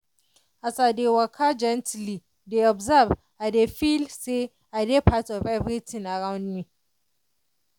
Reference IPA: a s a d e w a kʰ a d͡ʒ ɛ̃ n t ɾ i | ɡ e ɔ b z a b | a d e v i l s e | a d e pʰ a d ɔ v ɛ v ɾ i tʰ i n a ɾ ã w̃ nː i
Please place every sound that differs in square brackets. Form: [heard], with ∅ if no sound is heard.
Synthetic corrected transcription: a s a d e w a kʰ a d͡ʒ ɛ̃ n t [l] i | [d] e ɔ b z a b | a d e [f] i l s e | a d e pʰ a [t] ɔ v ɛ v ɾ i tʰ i n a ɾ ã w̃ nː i